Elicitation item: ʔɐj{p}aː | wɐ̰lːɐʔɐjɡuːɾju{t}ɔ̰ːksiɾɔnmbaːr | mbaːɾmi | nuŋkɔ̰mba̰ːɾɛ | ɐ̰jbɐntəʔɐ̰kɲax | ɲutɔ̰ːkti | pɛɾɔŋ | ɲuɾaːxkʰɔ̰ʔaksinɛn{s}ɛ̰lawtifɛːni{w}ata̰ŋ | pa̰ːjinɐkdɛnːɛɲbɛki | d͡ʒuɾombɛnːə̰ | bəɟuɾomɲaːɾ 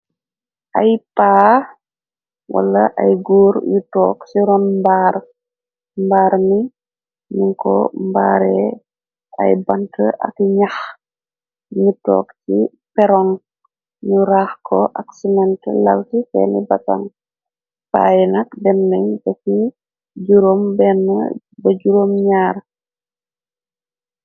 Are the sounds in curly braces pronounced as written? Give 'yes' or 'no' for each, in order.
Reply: yes, yes, no, no

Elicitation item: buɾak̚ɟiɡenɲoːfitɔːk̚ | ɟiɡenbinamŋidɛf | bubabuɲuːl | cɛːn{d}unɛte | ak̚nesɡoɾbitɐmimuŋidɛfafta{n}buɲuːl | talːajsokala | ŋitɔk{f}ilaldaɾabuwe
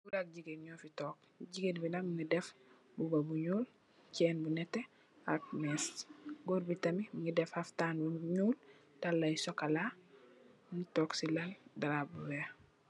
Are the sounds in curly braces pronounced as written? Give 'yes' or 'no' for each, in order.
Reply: no, yes, no

